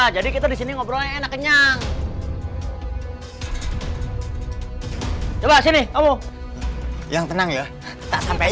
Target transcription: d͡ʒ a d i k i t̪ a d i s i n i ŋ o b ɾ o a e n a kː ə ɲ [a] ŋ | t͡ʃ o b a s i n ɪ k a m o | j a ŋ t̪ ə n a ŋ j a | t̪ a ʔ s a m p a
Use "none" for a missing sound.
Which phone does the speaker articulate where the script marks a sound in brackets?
a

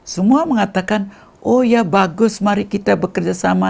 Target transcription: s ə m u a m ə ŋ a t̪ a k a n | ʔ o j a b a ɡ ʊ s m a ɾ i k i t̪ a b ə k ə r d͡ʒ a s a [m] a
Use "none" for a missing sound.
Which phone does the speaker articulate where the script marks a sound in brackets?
m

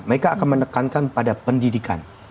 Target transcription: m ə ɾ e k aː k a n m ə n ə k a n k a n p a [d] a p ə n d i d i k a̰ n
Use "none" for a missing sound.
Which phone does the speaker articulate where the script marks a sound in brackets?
d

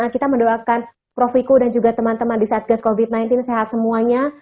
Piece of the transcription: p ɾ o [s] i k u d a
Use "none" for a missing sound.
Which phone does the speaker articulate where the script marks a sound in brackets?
f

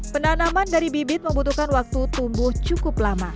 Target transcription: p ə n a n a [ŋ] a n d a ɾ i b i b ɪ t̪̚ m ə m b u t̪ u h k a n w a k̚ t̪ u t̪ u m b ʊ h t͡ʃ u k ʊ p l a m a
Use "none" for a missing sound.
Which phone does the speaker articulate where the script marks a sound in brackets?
m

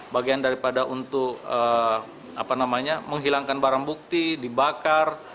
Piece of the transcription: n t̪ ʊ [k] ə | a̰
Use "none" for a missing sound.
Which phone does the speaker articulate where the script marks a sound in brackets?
k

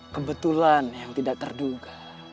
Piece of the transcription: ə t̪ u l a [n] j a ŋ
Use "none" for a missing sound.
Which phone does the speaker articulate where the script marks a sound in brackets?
n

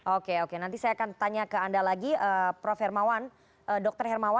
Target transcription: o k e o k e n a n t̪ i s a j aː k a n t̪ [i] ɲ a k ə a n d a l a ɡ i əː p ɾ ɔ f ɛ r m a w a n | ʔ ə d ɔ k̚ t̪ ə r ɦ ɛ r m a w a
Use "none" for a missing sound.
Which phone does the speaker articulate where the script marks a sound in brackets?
a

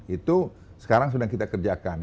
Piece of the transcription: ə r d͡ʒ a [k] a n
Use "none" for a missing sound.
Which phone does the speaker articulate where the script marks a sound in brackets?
k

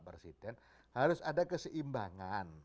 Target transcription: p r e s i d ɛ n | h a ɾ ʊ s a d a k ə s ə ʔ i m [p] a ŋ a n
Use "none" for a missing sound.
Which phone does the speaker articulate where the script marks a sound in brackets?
b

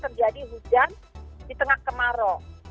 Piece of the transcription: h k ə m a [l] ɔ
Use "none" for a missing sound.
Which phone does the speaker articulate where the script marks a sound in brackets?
ɾ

